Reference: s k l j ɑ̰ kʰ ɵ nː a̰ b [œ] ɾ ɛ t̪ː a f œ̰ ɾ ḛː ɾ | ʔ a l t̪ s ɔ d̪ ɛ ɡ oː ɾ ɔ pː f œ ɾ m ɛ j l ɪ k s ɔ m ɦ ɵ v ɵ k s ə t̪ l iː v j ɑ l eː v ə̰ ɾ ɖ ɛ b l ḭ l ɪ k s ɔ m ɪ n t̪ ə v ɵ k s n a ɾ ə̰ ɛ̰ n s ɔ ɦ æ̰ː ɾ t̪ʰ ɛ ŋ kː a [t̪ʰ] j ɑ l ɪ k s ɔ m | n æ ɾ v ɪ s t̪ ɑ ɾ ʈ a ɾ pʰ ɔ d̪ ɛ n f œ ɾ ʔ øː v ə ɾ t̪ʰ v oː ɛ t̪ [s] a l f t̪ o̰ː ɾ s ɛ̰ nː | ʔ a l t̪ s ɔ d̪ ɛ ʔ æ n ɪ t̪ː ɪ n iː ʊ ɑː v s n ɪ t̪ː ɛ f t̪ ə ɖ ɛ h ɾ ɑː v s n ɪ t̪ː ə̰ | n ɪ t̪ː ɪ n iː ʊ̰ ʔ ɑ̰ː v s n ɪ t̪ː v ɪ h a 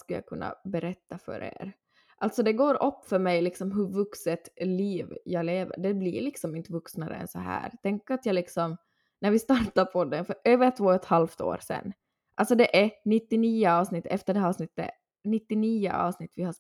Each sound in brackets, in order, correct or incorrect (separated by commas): incorrect, incorrect, incorrect